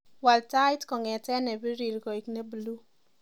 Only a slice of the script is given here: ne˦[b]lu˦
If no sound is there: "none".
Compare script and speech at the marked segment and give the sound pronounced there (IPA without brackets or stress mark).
b